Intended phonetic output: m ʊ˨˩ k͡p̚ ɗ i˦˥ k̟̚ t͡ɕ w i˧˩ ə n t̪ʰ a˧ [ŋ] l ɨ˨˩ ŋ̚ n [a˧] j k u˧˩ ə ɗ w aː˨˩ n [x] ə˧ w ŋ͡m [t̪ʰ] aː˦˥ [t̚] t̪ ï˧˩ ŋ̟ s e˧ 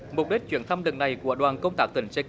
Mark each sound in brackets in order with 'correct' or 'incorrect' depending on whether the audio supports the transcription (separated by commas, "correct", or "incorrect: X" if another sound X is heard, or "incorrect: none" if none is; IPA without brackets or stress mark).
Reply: incorrect: m, incorrect: a˨˩, incorrect: k, incorrect: t̪, incorrect: k̚